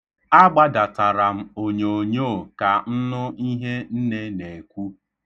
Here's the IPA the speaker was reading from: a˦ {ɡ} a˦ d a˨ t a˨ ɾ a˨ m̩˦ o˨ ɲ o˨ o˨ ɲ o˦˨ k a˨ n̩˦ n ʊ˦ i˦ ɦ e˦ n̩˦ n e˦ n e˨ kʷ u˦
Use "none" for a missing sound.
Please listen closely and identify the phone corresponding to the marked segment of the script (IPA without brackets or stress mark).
ɡ͡b